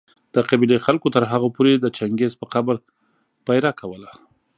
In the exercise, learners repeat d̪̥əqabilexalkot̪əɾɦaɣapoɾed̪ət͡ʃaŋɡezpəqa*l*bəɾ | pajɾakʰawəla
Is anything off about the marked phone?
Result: yes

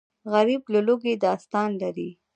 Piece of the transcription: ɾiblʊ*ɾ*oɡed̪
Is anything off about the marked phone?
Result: yes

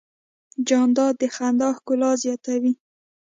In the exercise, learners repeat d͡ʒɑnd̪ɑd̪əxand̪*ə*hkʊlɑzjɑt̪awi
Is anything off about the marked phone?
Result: yes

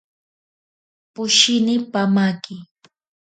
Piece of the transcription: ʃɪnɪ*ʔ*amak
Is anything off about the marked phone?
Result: yes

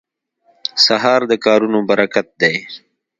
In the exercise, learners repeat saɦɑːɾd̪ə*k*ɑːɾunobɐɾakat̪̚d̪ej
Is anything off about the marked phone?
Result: no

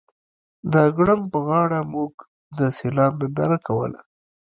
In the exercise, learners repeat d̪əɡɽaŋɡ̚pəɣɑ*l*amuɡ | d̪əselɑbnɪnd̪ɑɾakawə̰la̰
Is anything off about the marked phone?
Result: yes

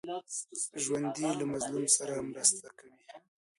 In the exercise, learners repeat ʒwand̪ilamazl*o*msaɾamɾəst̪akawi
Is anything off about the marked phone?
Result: yes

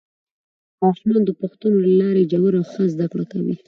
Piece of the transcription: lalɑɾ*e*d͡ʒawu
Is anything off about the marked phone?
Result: no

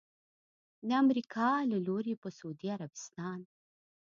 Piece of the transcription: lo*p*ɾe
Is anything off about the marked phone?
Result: yes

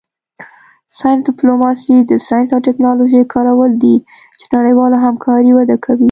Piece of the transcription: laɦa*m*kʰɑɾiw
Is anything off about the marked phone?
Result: no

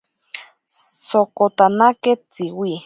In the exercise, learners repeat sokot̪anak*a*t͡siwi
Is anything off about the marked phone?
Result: yes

